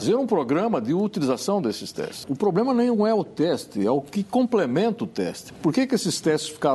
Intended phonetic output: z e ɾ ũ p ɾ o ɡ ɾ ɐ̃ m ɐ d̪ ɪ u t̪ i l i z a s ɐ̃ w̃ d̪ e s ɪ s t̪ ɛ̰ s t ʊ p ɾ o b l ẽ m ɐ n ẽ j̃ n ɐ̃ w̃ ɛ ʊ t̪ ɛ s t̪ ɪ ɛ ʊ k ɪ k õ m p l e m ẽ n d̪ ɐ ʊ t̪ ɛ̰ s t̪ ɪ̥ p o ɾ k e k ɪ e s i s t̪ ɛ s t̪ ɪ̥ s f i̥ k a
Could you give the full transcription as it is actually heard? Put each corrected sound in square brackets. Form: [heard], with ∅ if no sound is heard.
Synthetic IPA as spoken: z e ɾ ũ p ɾ o ɡ ɾ ɐ̃ m ɐ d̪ ɪ u t̪ i l i z a s ɐ̃ w̃ d̪ e s ɪ s t̪ ɛ̰ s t ʊ p ɾ o b l ẽ m ɐ n ẽ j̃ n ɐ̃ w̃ ɛ ʊ t̪ ɛ s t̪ ɪ ɛ ʊ k ɪ k õ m p l e m ẽ n [t̪] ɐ ʊ t̪ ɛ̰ s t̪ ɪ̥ p o ɾ k e k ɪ e s [ɪ] s t̪ ɛ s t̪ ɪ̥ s f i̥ k a